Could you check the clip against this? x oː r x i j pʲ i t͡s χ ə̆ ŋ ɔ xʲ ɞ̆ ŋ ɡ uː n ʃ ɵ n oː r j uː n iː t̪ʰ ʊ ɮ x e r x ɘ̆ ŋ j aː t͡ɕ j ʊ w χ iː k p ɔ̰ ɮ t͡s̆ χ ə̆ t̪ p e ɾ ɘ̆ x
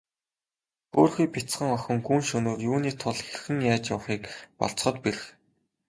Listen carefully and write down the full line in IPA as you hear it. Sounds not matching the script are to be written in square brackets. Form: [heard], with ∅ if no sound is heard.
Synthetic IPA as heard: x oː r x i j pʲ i t͡s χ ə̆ ŋ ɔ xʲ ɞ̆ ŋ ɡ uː n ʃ ɵ n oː r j uː n iː t̪ʰ ʊ ɮ x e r x ɘ̆ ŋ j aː t͡ɕ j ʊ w χ iː k p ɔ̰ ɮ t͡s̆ χ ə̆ t̪ p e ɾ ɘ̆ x